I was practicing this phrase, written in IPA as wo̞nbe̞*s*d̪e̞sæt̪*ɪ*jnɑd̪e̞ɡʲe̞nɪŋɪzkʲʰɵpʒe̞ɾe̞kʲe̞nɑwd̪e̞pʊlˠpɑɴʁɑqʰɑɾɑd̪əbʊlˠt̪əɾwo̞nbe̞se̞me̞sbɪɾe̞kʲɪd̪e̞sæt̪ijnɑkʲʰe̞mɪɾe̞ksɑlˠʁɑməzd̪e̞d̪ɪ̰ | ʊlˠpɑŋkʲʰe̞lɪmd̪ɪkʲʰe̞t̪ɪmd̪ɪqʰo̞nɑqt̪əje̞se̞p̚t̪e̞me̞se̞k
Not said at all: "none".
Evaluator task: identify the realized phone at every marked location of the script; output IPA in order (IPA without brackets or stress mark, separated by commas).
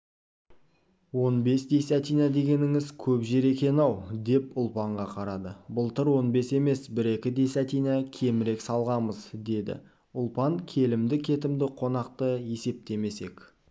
s, i